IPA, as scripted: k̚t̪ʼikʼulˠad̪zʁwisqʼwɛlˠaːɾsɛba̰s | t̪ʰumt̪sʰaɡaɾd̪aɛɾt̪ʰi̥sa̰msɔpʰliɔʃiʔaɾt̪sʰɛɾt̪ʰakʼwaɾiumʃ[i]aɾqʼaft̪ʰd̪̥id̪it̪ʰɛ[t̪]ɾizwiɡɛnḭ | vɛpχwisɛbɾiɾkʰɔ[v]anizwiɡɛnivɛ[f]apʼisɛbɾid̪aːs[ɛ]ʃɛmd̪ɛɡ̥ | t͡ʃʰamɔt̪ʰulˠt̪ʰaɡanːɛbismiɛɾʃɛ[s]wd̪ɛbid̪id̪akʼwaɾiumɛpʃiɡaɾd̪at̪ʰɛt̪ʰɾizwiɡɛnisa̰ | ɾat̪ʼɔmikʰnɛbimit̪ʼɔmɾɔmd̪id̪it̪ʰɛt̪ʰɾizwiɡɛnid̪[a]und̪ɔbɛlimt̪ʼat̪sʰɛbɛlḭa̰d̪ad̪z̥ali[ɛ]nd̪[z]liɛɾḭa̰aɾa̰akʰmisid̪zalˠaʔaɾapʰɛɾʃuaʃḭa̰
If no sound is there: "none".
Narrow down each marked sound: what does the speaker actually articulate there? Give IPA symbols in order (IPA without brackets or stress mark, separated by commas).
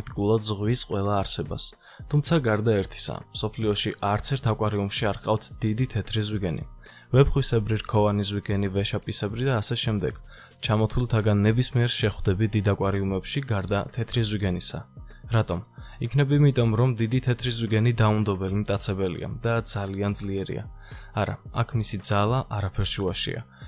i, t̪ʰ, v, ʃ, ɛ, χ, a, a, z